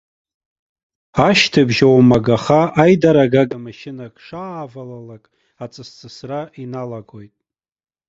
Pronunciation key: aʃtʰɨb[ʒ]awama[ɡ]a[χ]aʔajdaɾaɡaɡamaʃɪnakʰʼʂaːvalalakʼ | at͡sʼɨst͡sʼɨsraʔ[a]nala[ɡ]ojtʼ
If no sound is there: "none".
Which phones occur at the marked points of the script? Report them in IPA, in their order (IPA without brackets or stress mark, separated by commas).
ʒ, ɡ, χ, i, ɡ